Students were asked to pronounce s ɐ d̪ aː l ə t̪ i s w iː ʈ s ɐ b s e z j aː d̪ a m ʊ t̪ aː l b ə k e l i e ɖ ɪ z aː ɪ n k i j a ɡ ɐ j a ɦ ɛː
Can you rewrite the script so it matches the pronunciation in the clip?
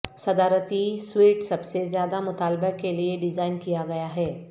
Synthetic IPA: s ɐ d̪ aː ɾ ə t̪ i s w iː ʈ s ɐ b s e z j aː d̪ a m ʊ t̪ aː l b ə k e l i e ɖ ɪ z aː ɪ n k i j a ɡ ɐ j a ɦ ɛː